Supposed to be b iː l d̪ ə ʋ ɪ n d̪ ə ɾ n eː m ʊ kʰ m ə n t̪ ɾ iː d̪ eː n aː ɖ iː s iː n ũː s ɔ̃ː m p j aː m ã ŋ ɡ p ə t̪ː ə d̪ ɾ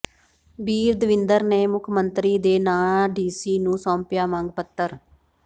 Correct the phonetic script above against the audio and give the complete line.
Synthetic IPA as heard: b iː ɾ d̪ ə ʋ ɪ n d̪ ə ɾ n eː m ʊ kʰ m ə n t̪ ɾ iː d̪ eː n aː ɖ iː s iː n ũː s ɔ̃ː m p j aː m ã ŋ ɡ p ə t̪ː ə ɾ